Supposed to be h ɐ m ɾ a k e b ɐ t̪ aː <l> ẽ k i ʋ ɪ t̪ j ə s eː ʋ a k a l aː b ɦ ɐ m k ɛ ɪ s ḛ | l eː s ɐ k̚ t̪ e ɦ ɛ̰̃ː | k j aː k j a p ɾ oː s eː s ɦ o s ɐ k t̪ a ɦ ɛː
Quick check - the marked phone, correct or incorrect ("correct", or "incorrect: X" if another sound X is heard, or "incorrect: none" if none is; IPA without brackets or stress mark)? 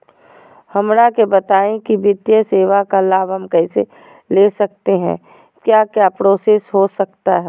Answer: incorrect: none